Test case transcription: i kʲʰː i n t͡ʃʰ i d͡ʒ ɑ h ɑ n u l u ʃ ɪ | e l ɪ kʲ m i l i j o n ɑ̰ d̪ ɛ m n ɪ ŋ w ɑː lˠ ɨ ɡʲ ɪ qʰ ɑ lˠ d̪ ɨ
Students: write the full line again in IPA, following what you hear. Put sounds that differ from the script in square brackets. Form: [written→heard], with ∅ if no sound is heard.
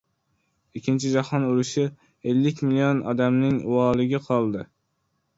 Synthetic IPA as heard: i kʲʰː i n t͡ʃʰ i d͡ʒ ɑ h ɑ n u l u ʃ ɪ | e [l→lː] ɪ kʲ m i l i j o n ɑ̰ d̪ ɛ m n ɪ ŋ w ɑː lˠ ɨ ɡʲ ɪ qʰ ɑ lˠ d̪ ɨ